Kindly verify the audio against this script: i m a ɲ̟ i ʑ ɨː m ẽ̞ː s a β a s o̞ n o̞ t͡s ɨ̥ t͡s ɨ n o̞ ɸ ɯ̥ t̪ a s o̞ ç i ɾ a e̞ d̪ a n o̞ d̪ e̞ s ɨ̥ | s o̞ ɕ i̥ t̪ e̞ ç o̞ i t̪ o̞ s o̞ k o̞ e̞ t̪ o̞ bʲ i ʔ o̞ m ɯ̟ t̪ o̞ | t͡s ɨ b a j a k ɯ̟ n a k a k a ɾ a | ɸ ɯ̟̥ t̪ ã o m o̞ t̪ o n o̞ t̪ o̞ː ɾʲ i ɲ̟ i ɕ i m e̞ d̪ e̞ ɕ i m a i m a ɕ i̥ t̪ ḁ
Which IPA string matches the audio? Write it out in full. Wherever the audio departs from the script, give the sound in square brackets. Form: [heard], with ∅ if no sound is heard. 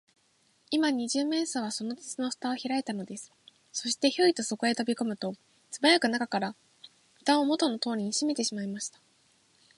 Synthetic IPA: i m a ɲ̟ i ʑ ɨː m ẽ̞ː s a β a s o̞ n o̞ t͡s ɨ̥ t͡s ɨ n o̞ ɸ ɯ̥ t̪ a [∅] o̞ ç i ɾ a e̞ [t̪] a n o̞ d̪ e̞ s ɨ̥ | s o̞ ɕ i̥ t̪ e̞ ç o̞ i t̪ o̞ s o̞ k o̞ e̞ t̪ o̞ bʲ i [k] o̞ m ɯ̟ t̪ o̞ | t͡s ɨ b a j a k ɯ̟ n a k a k a ɾ a | ɸ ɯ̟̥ t̪ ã o m o̞ t̪ o n o̞ t̪ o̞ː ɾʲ i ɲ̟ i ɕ i m e̞ [t̪] e̞ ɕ i m a i m a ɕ i̥ t̪ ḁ